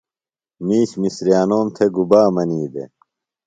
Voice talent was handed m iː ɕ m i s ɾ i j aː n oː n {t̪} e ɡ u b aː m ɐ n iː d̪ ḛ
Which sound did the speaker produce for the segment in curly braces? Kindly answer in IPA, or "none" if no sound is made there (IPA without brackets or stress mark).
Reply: t̪ʰ